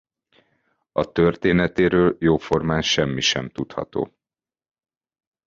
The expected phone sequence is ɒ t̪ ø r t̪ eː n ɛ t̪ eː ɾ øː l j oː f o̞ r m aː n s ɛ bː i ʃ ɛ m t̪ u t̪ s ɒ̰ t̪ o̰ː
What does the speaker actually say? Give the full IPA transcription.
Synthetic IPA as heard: ɒ t̪ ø r t̪ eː n ɛ t̪ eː ɾ øː l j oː f o̞ r m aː n ʃ ɛ mː i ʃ ɛ m t̪ u t̪ h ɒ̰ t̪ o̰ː